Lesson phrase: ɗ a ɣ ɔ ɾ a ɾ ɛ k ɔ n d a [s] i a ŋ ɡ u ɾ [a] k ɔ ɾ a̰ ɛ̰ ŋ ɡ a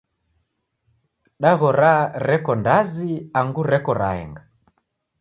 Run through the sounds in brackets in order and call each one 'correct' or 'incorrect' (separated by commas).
incorrect, incorrect